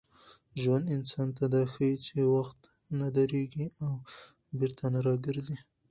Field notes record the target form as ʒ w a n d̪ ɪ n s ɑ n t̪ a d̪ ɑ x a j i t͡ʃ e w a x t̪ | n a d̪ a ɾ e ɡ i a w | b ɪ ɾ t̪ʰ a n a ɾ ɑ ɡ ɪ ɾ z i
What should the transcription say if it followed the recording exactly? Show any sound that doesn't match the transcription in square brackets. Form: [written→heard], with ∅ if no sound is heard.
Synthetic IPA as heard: ʒ w a n d̪ ɪ n s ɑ n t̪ a d̪ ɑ x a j i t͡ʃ e w a x t̪ | n a d̪ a ɾ e ɡ i a w | b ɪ ɾ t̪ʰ a n a ɾ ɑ ɡ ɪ ɾ z i